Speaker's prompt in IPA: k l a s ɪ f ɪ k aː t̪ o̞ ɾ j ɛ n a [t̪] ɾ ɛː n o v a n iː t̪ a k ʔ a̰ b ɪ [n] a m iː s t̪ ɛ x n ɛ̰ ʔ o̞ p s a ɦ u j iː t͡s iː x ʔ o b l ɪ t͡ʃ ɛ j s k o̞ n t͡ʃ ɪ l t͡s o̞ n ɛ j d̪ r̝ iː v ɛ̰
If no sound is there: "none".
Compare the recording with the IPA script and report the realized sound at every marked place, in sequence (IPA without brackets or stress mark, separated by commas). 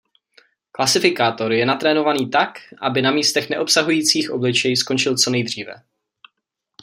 t̪, n